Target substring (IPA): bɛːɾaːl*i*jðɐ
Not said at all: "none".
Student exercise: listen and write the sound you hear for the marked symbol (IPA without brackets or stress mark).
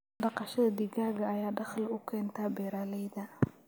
ɛ